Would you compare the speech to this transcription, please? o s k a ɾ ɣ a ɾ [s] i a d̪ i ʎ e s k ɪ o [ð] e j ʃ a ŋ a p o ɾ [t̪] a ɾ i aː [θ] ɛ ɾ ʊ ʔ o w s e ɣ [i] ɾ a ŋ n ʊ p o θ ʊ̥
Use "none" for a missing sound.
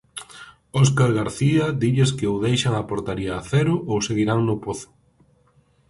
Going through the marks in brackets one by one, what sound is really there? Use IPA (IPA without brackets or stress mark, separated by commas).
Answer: θ, ð, t̪, θ, i